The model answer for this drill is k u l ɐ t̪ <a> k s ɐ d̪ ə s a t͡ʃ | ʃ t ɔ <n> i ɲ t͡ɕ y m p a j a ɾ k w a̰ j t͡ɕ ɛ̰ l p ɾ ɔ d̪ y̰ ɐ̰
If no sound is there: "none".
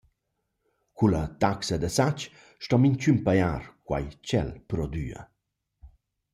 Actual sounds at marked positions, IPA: a, m

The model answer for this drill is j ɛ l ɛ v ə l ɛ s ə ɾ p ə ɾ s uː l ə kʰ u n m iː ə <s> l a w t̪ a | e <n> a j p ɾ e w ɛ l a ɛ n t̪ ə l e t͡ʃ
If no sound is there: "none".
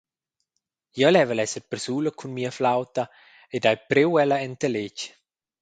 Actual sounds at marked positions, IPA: f, d

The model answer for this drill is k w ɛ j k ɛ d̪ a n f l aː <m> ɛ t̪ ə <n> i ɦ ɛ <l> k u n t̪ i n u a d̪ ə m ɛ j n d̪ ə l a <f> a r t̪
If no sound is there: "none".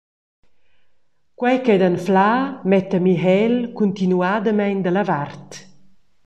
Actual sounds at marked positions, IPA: m, m, l, v

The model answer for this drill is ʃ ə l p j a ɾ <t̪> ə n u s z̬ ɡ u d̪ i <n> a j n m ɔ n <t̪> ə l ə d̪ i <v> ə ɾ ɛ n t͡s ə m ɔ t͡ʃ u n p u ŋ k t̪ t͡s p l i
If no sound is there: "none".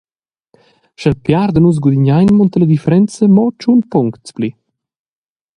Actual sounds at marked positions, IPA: d̪, ɲ, t̪, f

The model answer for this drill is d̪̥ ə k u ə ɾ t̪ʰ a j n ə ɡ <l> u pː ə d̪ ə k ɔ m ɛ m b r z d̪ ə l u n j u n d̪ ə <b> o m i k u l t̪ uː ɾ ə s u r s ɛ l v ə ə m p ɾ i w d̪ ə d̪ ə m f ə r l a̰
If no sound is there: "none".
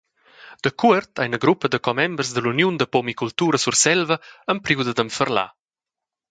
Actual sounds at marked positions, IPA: ɾ, p

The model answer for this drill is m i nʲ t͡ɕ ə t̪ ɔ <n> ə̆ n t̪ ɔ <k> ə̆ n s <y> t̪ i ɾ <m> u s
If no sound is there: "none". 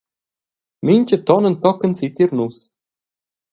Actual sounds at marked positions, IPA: n, k, i, n

